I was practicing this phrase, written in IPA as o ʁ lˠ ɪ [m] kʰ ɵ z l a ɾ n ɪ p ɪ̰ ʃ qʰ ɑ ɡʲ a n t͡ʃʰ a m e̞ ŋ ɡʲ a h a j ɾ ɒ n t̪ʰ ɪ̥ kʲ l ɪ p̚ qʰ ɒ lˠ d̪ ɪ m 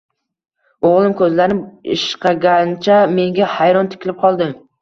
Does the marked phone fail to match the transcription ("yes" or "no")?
no